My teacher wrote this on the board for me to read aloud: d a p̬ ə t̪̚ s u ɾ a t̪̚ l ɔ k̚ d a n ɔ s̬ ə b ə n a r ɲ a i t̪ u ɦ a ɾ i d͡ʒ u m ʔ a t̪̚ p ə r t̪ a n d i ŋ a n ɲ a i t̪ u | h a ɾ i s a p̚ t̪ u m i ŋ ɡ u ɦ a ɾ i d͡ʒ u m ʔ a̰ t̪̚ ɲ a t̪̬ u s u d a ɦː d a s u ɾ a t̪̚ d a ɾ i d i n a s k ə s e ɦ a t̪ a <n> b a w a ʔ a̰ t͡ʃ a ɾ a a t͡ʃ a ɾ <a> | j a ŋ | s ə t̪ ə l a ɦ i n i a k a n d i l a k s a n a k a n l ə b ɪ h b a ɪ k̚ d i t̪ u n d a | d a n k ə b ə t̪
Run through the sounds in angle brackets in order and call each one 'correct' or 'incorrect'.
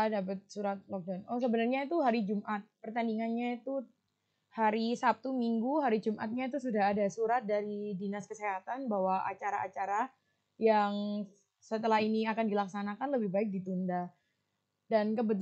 correct, correct

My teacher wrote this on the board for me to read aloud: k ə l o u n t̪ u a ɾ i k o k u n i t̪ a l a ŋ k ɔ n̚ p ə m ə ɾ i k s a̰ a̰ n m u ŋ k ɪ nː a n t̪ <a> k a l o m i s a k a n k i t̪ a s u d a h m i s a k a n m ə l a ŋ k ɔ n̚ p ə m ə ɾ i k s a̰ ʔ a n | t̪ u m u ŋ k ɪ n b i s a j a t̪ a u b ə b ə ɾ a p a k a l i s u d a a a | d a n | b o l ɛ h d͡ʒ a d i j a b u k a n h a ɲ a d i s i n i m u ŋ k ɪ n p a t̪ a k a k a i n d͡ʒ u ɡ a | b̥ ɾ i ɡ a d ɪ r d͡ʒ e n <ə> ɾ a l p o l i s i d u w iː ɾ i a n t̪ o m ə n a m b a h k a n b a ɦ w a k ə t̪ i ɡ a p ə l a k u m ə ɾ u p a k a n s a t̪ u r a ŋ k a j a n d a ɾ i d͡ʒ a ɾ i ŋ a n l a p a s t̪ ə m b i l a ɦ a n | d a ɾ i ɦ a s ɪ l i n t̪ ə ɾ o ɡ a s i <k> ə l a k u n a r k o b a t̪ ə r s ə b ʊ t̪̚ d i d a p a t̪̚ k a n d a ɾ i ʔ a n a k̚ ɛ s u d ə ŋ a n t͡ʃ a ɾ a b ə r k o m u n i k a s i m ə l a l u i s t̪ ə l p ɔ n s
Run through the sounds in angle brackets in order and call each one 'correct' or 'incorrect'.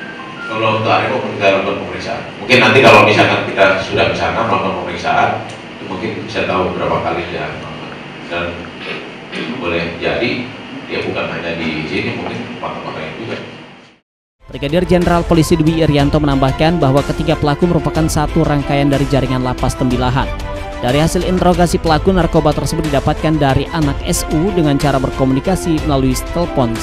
incorrect: i, correct, incorrect: p

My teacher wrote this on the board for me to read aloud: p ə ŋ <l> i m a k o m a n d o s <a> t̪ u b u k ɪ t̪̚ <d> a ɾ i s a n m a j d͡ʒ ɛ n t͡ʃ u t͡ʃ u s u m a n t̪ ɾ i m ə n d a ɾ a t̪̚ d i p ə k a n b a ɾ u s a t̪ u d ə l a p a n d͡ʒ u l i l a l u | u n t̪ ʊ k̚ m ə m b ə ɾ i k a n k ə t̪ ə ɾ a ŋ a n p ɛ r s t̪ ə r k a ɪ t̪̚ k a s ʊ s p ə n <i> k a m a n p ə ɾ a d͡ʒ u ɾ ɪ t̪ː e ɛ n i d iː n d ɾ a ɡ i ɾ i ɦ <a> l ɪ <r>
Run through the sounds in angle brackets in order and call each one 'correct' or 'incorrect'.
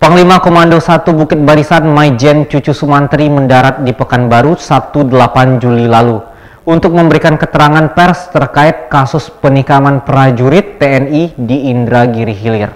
correct, correct, incorrect: b, correct, incorrect: i, correct

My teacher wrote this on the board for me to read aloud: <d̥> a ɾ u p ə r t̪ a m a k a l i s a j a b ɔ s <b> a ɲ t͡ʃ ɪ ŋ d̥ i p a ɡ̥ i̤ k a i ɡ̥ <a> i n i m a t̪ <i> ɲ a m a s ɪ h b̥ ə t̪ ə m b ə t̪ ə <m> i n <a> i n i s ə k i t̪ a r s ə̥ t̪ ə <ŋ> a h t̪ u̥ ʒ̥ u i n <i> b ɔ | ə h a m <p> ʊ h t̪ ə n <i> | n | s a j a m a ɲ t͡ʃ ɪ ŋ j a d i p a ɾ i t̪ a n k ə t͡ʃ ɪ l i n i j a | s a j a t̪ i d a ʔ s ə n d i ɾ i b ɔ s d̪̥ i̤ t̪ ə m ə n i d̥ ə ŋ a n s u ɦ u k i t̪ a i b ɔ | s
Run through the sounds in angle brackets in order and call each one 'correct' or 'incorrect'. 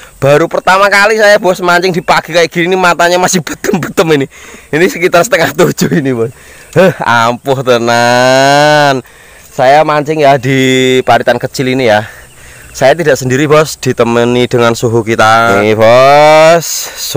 incorrect: b̥, incorrect: m, incorrect: i, incorrect: a, correct, incorrect: i, correct, correct, correct, incorrect: a

